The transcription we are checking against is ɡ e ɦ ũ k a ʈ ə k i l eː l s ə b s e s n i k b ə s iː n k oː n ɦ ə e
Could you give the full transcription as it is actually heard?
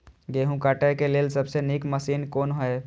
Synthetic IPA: ɡ e ɦ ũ k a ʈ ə k e l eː l s ə b s e n i k m ə s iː n k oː n ɦ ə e